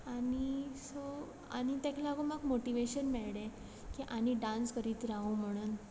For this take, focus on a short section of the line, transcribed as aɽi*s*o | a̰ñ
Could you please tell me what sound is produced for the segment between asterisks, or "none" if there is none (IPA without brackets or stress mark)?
s